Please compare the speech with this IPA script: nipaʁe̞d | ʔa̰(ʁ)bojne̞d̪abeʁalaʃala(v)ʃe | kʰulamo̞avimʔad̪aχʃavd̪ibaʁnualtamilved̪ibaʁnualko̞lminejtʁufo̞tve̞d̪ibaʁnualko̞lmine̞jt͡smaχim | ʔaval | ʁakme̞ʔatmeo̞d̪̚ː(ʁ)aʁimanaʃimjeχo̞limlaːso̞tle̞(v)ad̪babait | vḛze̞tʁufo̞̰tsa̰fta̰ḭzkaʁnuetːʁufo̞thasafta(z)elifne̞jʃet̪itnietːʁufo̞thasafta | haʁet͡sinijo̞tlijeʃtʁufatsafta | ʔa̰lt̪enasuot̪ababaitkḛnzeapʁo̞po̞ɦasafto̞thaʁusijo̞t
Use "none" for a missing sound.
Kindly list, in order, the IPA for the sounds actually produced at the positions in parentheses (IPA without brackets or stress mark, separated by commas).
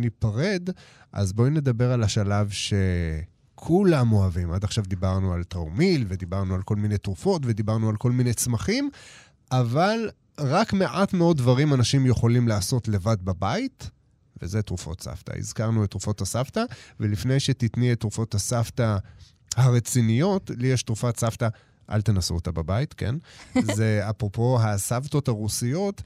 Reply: z, v, v, v, v